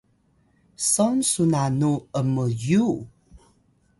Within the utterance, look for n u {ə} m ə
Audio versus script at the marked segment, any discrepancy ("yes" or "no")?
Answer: no